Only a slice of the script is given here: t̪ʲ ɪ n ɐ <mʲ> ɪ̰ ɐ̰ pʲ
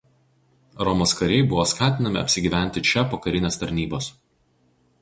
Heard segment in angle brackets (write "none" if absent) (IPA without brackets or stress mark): mʲ